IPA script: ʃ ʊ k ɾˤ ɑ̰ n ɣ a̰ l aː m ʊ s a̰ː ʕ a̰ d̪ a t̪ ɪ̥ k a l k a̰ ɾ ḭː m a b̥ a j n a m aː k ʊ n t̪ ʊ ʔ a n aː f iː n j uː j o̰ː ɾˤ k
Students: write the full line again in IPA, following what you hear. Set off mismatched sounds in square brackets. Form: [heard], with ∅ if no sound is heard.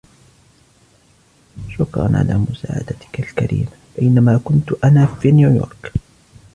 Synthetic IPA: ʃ ʊ k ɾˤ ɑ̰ n [ʕ] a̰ l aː m ʊ s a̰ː ʕ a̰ d̪ a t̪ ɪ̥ k a l k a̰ ɾ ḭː m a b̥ a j n a m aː k ʊ n t̪ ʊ ʔ a n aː f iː n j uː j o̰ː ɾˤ k